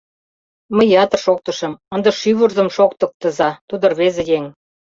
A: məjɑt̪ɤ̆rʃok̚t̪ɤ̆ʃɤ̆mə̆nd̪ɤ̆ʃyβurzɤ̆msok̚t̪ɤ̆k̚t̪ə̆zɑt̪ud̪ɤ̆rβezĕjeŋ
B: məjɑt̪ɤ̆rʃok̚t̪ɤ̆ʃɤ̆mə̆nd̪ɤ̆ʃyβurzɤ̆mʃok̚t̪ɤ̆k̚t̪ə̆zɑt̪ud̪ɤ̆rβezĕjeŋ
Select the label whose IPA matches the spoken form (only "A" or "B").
B